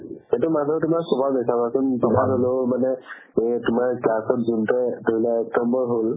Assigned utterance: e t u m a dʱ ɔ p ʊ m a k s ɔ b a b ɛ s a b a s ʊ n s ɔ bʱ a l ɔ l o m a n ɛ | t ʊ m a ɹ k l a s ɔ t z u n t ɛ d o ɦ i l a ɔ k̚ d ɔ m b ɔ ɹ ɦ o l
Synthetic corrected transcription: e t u m a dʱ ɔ t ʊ m a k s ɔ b a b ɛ s a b a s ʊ n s ɔ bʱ a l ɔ l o m a n ɛ | t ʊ m a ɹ k l a s ɔ t z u n t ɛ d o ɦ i l a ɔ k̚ t ɔ m b ɔ ɹ ɦ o l